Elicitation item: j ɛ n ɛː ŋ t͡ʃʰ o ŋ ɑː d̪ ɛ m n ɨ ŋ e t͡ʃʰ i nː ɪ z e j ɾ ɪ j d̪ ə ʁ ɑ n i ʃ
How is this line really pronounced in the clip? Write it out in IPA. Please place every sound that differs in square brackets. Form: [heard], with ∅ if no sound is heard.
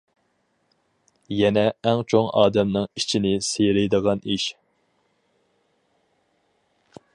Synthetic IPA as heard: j ɛ n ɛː ŋ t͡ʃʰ o ŋ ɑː d̪ ɛ m n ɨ ŋ [i] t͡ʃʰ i [n] ɪ [s] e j ɾ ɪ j d̪ ə ʁ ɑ n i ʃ